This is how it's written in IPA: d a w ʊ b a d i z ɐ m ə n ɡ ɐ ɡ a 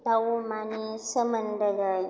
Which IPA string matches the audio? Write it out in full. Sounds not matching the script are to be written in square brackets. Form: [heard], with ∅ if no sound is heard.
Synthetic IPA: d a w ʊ [m] a [n] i [s] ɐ m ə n [d] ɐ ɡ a